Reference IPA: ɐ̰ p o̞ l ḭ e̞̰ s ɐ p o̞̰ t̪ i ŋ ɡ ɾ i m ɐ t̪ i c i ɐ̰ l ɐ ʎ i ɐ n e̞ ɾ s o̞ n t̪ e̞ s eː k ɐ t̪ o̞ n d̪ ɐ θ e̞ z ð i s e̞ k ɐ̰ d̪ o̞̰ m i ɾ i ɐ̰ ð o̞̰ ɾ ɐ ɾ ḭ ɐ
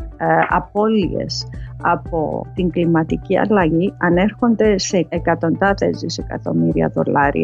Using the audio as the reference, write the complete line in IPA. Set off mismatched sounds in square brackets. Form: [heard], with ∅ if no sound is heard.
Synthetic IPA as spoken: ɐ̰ p o̞ l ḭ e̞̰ s ɐ p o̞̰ t̪ i ŋ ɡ [l] i m ɐ t̪ i c i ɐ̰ l ɐ [ʝ] i ɐ n e̞ ɾ [x] o̞ n [d̪] e̞ s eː k ɐ t̪ o̞ n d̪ ɐ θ e̞ z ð i s e̞ k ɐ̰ [t̪] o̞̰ m i ɾ i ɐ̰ ð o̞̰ [l] ɐ ɾ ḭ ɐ